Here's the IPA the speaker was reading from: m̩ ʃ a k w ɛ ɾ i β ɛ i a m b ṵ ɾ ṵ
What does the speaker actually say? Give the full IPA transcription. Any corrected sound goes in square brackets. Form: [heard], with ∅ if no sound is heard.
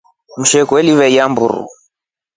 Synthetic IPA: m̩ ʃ [ɛ] k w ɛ [l] i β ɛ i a m b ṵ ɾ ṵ